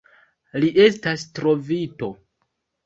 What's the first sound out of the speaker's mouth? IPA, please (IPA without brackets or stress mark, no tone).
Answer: l